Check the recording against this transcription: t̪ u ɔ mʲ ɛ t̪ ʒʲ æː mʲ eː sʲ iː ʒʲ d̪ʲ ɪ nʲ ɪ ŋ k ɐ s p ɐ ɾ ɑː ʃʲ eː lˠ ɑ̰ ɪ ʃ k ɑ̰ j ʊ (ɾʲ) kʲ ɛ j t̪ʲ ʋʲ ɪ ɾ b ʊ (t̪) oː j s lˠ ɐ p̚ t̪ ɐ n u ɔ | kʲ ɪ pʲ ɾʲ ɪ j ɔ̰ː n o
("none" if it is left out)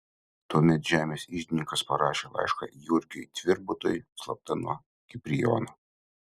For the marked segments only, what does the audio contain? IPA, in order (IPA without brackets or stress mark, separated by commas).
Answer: ɾʲ, t̪